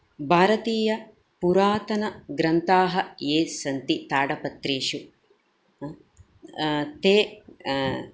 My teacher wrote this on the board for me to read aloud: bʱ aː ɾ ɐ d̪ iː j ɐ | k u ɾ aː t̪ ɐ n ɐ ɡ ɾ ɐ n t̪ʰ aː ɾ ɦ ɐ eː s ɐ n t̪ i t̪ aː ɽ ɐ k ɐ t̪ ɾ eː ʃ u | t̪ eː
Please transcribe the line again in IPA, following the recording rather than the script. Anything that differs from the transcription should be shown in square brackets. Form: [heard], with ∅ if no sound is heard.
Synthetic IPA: bʱ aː ɾ ɐ [t̪] iː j ɐ | [p] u ɾ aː t̪ ɐ n ɐ ɡ ɾ ɐ n [t̪] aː [∅] ɦ ɐ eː s ɐ n t̪ i t̪ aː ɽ ɐ [p] ɐ t̪ ɾ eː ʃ u | t̪ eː